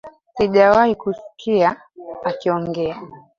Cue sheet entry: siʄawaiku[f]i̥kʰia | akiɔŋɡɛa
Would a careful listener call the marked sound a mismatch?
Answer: yes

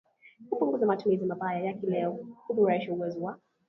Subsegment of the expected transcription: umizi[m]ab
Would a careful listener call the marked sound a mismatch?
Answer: no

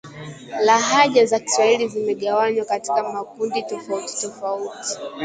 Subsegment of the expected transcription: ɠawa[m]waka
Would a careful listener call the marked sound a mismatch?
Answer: yes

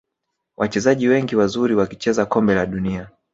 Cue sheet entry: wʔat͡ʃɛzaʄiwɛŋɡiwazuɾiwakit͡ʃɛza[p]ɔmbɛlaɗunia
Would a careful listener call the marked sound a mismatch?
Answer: yes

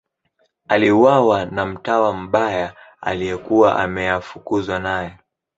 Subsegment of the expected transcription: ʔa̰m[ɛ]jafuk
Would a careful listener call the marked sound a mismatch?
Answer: no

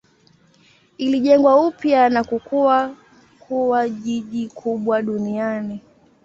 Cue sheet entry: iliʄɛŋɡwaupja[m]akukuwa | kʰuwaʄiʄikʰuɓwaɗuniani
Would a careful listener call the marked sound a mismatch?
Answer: yes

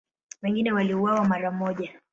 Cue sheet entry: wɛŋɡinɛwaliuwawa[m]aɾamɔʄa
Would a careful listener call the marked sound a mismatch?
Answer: no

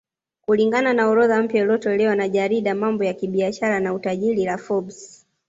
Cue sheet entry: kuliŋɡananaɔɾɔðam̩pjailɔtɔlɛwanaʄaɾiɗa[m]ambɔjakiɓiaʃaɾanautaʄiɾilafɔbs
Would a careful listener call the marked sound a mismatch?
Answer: no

